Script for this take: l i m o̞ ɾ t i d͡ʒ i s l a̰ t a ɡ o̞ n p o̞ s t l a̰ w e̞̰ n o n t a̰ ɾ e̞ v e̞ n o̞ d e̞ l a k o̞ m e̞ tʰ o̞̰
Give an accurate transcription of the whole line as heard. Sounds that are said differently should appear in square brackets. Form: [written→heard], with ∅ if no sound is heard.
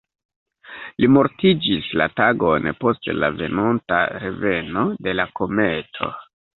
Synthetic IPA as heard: l i m o̞ ɾ t i d͡ʒ i s l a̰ t a ɡ o̞ n p o̞ s t l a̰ [w→v] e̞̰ n o n t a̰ ɾ e̞ v e̞ n o̞ d e̞ l a k o̞ m e̞ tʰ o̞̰